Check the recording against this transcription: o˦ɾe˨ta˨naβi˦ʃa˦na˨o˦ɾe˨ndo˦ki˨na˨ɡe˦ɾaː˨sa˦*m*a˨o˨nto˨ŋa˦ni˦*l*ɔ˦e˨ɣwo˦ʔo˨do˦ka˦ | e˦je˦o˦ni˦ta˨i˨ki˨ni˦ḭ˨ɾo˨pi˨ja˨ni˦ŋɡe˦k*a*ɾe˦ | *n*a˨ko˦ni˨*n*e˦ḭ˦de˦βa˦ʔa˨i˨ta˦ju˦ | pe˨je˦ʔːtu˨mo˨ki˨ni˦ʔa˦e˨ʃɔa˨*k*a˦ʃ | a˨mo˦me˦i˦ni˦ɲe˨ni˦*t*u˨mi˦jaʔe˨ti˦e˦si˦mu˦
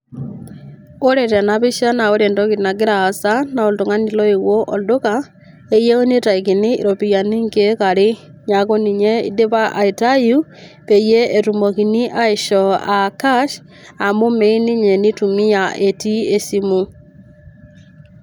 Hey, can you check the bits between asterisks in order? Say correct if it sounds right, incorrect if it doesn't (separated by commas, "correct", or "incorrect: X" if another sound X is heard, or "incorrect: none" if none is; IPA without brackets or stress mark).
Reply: incorrect: n, correct, correct, incorrect: ɲ, incorrect: ɲ, correct, correct